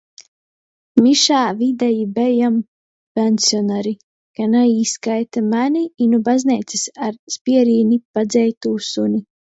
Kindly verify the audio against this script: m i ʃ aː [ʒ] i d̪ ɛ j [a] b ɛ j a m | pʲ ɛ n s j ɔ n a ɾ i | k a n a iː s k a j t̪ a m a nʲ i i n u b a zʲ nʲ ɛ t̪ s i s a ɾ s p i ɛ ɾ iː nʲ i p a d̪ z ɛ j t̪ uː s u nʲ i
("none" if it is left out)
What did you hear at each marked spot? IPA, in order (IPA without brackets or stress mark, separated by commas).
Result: v, i